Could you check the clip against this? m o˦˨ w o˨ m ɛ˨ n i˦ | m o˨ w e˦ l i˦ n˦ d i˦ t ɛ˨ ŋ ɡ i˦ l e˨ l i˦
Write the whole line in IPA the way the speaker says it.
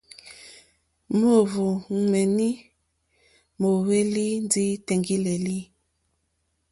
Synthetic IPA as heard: m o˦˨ v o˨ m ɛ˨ n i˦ | m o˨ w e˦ l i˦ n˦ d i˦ t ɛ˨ ŋ ɡ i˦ l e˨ l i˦